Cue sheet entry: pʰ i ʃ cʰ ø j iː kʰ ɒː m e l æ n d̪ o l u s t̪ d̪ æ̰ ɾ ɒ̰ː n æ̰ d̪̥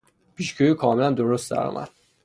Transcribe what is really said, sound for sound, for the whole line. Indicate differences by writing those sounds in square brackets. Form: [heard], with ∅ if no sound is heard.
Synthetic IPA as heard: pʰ i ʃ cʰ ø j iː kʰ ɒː m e l æ n d̪ o [ɾ] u s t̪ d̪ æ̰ ɾ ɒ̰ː [m] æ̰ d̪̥